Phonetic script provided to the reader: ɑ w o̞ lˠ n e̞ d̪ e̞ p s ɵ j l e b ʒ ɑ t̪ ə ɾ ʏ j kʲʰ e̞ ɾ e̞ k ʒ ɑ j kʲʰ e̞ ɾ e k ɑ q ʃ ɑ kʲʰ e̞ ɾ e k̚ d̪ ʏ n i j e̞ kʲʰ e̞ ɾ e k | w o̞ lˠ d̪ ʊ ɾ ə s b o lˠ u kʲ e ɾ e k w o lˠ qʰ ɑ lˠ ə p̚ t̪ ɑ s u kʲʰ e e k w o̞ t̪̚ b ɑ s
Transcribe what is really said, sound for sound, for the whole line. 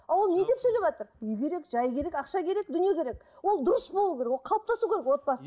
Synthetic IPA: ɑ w o̞ lˠ n e̞ d̪ e̞ p s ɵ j l e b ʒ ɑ t̪ ə ɾ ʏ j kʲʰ e̞ ɾ e̞ k ʒ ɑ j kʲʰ e̞ ɾ e k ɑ q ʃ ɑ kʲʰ e̞ ɾ e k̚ d̪ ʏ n i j e̞ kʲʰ e̞ ɾ e k | w o̞ lˠ d̪ ʊ ɾ ə s b o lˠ u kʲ e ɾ e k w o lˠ qʰ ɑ lˠ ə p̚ t̪ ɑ s u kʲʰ e e k w o̞ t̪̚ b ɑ s

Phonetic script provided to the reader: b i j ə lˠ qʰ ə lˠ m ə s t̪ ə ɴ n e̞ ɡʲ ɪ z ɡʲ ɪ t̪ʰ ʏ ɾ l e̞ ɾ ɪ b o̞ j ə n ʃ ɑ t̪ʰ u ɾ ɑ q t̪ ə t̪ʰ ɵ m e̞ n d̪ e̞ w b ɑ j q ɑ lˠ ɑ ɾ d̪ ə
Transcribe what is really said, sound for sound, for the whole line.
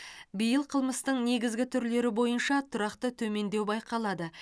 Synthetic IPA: b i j ə lˠ qʰ ə lˠ m ə s t̪ ə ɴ n e̞ ɡʲ ɪ z ɡʲ ɪ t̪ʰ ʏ ɾ l e̞ ɾ ɪ b o̞ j ə n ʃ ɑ t̪ʰ ʊ ɾ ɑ q t̪ ə t̪ʰ ɵ m e̞ n d̪ e̞ w b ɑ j q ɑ lˠ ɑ d̪ ə

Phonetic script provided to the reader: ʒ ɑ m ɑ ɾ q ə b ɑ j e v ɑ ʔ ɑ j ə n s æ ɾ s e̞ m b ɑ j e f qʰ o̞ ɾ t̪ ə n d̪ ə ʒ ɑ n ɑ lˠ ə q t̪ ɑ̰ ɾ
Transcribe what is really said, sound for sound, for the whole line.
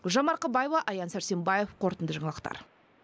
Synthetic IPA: ʒ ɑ m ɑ ɾ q ə b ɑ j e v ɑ ʔ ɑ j ɑ n s æ ɾ s e̞ m b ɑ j e f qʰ o̞ ɾ t̪ ə n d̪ ə ʒ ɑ ɴ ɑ lˠ ə q t̪ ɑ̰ ɾ

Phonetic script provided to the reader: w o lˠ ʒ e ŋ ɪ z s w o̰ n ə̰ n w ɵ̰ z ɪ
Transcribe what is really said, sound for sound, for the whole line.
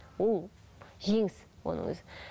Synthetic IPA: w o lˠ ʒ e ŋ ɪ s w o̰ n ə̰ ŋ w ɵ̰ z ɪ

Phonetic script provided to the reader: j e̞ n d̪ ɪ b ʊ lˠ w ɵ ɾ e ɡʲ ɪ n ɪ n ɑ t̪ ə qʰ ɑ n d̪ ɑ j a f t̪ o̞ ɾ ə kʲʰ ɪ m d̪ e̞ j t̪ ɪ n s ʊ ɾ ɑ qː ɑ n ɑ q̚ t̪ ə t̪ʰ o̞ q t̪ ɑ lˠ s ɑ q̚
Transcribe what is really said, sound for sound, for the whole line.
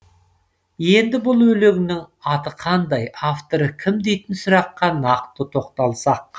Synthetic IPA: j e̞ n d̪ ɪ b ʊ lˠ w ɵ l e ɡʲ ɪ n ɪ ŋ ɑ t̪ ə qʰ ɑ n d̪ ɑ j a f t̪ o̞ ɾ ə kʲʰ ɪ m d̪ e̞ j t̪ ɪ n s ʊ ɾ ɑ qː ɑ n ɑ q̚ t̪ ə t̪ʰ o̞ q t̪ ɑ lˠ s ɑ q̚

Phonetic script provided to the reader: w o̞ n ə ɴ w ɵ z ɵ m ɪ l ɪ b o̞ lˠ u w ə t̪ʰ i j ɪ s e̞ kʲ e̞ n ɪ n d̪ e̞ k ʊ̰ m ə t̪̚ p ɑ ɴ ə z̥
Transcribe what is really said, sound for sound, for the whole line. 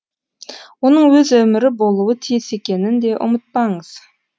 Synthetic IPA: w o̞ n ə ɴ w ɵ z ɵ m ɪ ɾ ɪ b o̞ lˠ u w ə t̪ʰ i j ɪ s e̞ kʲ e̞ n ɪ n d̪ e̞ ʔ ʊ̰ m ə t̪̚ p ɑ ɴ ə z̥

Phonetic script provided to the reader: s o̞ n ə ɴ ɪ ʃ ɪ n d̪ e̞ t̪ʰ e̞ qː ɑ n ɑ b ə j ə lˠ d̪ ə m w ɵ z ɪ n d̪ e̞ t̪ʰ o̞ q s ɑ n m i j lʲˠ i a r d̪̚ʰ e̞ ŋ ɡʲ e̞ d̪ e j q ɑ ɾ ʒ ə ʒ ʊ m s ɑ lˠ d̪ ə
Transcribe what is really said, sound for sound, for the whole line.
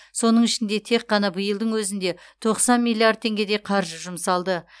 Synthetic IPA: s o̞ n ə ɴ ɪ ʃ ɪ n d̪ e̞ t̪ʰ e̞ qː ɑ n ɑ b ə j ə lˠ d̪ ə ɴ w ɵ z ɪ n d̪ e̞ t̪ʰ o̞ q s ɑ n m i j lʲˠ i a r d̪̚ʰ e̞ ŋ ɡʲ e̞ d̪ e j qʰ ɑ ɾ ʒ ə ʒ ʊ m s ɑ lˠ d̪ ə

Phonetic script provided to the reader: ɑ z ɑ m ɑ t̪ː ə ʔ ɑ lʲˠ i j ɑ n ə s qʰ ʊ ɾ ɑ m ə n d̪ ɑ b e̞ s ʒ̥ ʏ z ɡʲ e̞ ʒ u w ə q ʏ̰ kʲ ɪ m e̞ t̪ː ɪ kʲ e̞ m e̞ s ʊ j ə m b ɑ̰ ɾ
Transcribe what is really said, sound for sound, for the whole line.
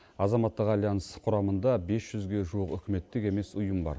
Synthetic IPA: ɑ z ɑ m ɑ t̪ː ə q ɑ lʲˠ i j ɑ n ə s qʰ ʊ ɾ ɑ m ə n d̪ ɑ b e̞ s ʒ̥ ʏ z ɡʲ e̞ ʒ u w ə q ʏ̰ kʲ ɪ m e̞ t̪ː ɪ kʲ e̞ m e̞ s ʊ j ə m b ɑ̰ ɾ

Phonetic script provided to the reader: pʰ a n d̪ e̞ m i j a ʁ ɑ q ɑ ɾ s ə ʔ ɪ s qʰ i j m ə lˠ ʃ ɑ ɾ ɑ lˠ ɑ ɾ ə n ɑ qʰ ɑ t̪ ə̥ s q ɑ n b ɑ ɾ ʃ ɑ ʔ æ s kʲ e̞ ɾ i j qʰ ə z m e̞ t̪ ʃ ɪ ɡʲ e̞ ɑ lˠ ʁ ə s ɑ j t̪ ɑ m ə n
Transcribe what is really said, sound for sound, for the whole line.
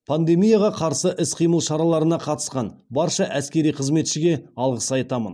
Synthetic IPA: pʰ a n d̪ e̞ m i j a ʁ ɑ qʰ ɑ ɾ s ə ʔ ɪ s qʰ i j m ə lˠ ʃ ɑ ɾ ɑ lˠ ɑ ɾ ə n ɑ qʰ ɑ t̪ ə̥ s q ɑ n b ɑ ɾ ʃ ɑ ʔ æ s kʲ e̞ ɾ i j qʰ ə z m e̞ t̪ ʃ ɪ ɡʲ e̞ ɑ lˠ ʁ ə s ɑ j t̪ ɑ m ə n

